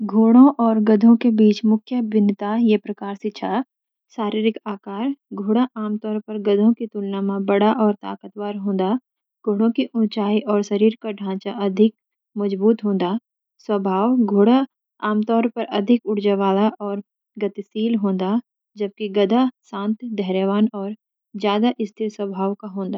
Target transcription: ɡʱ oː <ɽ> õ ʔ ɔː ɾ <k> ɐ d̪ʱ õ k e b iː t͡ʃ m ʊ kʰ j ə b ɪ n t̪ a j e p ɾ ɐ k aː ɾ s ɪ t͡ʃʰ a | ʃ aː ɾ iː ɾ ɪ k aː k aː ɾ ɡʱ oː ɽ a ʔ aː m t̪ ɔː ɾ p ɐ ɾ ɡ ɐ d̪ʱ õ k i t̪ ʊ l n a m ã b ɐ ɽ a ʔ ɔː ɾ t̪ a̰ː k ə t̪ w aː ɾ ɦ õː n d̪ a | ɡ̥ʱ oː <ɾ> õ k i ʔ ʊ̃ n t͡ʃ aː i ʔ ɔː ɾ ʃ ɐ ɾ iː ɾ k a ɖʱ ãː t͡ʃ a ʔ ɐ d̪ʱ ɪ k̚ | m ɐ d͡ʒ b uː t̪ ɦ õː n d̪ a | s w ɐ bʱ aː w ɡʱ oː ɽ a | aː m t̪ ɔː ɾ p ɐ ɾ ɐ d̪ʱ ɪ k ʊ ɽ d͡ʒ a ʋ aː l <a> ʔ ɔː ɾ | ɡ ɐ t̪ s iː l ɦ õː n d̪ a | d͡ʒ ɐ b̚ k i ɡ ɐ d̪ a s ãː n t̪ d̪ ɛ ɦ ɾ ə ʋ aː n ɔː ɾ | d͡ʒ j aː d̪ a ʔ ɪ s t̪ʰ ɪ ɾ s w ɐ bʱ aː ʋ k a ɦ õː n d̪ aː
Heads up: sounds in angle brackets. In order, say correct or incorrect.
correct, incorrect, incorrect, correct

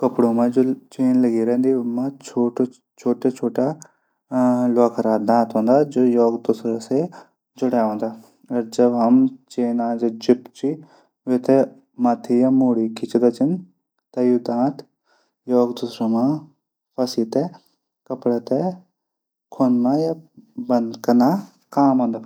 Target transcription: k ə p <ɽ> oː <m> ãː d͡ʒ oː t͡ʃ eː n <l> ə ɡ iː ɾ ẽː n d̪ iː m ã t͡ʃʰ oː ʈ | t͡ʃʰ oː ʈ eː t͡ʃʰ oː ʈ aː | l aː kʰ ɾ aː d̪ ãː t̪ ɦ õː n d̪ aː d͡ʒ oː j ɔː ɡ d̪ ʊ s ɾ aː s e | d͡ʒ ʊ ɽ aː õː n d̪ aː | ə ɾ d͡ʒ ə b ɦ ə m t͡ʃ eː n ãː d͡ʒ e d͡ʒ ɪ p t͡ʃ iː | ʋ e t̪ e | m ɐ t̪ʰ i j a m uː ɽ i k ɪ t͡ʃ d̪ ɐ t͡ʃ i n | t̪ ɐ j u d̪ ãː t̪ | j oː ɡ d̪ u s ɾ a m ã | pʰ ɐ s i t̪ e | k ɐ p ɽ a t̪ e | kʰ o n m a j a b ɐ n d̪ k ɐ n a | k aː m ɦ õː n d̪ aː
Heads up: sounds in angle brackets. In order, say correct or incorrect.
correct, correct, correct

